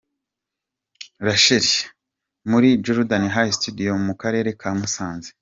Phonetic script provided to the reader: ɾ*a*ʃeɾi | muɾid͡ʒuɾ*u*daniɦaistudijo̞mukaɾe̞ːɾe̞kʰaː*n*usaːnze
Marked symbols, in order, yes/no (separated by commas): yes, yes, no